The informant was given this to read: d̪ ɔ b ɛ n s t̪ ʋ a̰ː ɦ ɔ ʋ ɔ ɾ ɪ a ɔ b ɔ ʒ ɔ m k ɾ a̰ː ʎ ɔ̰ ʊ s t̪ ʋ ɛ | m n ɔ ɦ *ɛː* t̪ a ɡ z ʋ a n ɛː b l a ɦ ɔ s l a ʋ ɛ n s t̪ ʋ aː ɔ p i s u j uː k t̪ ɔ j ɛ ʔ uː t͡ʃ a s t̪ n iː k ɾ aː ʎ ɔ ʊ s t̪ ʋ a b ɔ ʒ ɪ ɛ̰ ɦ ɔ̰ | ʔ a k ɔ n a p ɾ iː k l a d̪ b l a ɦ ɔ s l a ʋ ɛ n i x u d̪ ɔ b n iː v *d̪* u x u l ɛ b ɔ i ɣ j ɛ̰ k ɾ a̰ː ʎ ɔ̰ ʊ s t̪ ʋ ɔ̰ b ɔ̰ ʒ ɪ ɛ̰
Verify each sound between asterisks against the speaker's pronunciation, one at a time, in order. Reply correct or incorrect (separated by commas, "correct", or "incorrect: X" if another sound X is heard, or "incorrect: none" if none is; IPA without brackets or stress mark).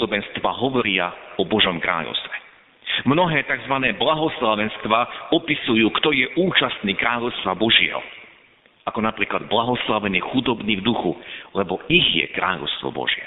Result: correct, correct